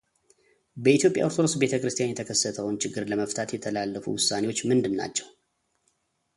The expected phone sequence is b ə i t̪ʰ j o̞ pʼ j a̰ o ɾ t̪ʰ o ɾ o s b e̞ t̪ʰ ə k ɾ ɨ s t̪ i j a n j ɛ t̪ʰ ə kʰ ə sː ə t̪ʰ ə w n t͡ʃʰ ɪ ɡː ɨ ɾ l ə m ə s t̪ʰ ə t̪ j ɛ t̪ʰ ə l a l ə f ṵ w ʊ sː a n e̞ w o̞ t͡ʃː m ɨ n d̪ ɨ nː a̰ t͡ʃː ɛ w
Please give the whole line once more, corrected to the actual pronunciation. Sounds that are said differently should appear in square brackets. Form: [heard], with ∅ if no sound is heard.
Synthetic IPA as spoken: b ə i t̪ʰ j o̞ pʼ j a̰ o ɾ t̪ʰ o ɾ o s b e̞ t̪ʰ ə k ɾ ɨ s t̪ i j a n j ɛ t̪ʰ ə kʰ ə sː ə t̪ʰ ə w n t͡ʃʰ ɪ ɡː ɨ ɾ l ə m ə [f] t̪ʰ [a] t̪ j ɛ t̪ʰ ə l a [lː] ə f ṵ w ʊ sː a n e̞ w o̞ t͡ʃː m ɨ n d̪ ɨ nː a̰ t͡ʃː ɛ w